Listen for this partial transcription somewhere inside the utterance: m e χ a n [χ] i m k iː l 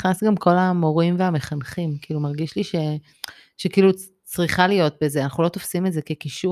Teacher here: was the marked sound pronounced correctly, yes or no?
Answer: yes